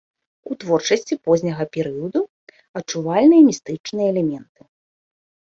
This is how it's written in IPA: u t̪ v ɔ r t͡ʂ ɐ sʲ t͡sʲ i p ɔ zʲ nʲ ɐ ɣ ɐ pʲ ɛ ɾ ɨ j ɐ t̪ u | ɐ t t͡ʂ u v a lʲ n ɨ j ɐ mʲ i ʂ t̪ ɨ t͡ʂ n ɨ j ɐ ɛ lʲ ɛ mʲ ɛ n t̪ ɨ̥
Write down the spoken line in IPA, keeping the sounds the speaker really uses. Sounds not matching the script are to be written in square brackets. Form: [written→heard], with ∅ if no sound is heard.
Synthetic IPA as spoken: u t̪ v ɔ r t͡ʂ ɐ sʲ t͡sʲ i p ɔ zʲ nʲ ɐ ɣ ɐ pʲ ɛ ɾ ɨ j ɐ [t̪→d̪] u | ɐ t t͡ʂ u v a lʲ n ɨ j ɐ mʲ i [ʂ→s] t̪ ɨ t͡ʂ n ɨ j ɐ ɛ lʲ ɛ mʲ ɛ n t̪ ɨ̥